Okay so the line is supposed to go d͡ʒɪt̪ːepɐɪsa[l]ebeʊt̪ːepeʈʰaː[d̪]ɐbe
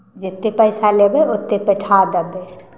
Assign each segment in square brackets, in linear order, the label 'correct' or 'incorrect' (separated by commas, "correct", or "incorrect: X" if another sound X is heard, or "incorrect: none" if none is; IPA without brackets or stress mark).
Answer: correct, correct